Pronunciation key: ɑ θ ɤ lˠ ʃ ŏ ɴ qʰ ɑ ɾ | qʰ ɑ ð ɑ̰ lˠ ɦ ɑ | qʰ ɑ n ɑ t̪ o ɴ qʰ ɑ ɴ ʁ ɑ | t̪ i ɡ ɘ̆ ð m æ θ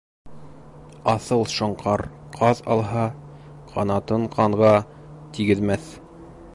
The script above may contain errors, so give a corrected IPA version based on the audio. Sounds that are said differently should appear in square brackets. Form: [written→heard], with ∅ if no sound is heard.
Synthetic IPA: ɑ θ ɤ lˠ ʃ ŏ ɴ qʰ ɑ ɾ | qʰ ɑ ð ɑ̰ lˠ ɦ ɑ | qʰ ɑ n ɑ t̪ [o→ɤ] ɴ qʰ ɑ ɴ ʁ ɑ | t̪ i ɡ ɘ̆ ð m æ θ